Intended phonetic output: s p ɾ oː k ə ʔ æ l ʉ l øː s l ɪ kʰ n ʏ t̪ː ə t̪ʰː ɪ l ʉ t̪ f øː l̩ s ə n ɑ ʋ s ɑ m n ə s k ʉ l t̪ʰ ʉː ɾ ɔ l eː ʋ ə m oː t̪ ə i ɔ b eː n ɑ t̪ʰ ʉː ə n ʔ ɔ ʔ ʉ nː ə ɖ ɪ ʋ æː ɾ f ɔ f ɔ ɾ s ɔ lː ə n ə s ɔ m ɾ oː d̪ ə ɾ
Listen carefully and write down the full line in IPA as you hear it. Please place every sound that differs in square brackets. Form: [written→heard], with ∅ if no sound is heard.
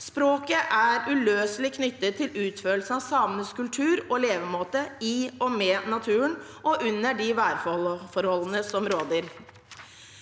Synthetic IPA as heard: s p ɾ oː k ə ʔ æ [l→ɾ] ʉ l øː s l ɪ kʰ n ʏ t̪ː ə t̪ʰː ɪ l [ʉ→ʉː] t̪ f øː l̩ s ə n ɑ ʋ s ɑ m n ə s k ʉ l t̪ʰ ʉː ɾ ɔ l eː ʋ ə m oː t̪ ə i ɔ [b→m] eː n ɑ t̪ʰ ʉː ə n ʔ ɔ ʔ ʉ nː ə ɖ ɪ ʋ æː ɾ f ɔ f ɔ ɾ [s→h] ɔ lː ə n ə s ɔ m ɾ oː d̪ ə ɾ

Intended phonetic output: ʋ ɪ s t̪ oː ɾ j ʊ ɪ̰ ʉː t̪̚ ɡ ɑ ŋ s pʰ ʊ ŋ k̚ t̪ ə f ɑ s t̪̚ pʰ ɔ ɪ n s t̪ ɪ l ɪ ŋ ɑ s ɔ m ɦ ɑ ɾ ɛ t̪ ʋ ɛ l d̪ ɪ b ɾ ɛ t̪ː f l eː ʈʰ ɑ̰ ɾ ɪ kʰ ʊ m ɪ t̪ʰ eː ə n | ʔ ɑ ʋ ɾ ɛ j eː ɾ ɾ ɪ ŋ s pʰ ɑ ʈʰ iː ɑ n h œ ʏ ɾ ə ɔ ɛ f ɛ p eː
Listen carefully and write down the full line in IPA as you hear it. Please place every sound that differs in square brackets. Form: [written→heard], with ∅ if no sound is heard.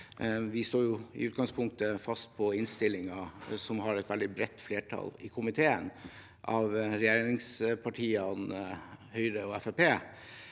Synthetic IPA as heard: ʋ ɪ s t̪ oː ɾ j ʊ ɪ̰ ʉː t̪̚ ɡ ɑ ŋ s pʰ ʊ ŋ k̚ t̪ ə f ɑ s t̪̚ pʰ ɔ ɪ n s t̪ ɪ l ɪ ŋ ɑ s ɔ m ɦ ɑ ɾ ɛ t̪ ʋ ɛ l d̪ ɪ b ɾ ɛ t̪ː f l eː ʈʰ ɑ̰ [ɾ→l] ɪ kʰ ʊ m ɪ t̪ʰ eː ə n | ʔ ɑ ʋ ɾ ɛ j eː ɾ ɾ ɪ ŋ s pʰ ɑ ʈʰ iː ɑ n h œ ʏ ɾ ə ɔ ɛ f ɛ p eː

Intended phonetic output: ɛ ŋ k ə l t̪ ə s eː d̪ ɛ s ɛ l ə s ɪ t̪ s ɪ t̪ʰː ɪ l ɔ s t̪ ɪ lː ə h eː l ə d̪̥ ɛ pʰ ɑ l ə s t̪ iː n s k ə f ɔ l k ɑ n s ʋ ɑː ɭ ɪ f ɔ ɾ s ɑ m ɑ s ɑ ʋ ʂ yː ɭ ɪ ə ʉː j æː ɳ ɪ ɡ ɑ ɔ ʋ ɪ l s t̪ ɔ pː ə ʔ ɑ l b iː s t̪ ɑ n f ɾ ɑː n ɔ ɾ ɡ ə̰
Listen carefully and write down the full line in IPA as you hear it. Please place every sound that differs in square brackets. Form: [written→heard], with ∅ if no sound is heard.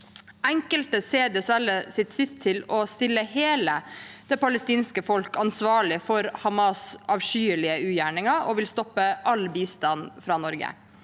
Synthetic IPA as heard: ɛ ŋ k ə l t̪ ə s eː d̪ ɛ s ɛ l ə s ɪ t̪ s ɪ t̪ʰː ɪ l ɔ s t̪ ɪ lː ə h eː l ə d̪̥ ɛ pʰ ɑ l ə s t̪ iː n s k ə f ɔ l k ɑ n s ʋ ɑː ɭ ɪ f ɔ ɾ [s→h] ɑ m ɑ s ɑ ʋ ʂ yː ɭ ɪ ə ʉː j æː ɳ ɪ [ɡ→ŋ] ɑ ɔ ʋ ɪ l s t̪ ɔ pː ə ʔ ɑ l b iː s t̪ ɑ n f ɾ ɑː n ɔ ɾ ɡ ə̰

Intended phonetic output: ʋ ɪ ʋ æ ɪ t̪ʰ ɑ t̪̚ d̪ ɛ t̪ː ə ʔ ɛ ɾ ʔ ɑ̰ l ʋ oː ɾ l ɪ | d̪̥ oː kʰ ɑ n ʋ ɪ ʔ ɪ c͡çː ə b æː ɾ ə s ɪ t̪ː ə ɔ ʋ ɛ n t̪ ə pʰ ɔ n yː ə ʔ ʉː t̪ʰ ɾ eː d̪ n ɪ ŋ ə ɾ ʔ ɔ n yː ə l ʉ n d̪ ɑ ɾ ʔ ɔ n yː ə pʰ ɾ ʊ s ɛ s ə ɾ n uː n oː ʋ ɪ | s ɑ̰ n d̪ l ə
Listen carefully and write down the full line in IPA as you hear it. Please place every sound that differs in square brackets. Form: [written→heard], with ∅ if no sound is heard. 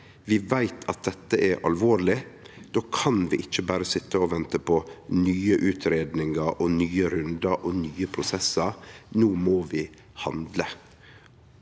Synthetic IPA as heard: ʋ ɪ ʋ æ ɪ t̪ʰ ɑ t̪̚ d̪ ɛ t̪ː ə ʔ ɛ ɾ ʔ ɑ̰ l ʋ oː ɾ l ɪ | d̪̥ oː kʰ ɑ n ʋ ɪ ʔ ɪ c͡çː ə b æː ɾ ə s ɪ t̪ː ə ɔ ʋ ɛ n t̪ ə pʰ ɔ n yː ə ʔ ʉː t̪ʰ ɾ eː d̪ n ɪ ŋ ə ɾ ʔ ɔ n yː ə [l→ɾ] ʉ n d̪ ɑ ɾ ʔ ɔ n yː ə pʰ ɾ ʊ s ɛ s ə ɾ n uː [n→m] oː ʋ ɪ | [s→h] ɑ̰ n d̪ l ə

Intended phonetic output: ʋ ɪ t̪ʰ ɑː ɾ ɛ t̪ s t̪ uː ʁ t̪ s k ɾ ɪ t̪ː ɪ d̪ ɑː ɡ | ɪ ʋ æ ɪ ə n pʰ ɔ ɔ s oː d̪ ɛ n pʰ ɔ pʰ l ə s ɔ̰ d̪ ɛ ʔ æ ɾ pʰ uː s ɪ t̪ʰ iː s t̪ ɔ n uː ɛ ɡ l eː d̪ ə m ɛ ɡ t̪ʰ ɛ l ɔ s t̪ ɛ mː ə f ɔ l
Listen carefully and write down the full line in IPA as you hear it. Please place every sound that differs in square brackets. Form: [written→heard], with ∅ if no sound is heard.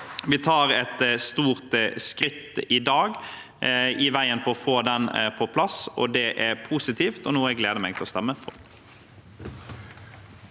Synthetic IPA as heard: ʋ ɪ t̪ʰ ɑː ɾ ɛ t̪ s t̪ uː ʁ t̪ s k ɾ ɪ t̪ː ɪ d̪ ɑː ɡ | ɪ ʋ æ ɪ ə n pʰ ɔ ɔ [s→f] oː d̪ ɛ n pʰ ɔ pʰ l [ə→ɑ] s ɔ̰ d̪ ɛ ʔ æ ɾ pʰ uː s ɪ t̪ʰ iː [s→f] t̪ ɔ n uː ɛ ɡ l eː d̪ ə m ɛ ɡ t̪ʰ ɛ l ɔ s t̪ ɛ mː ə f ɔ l

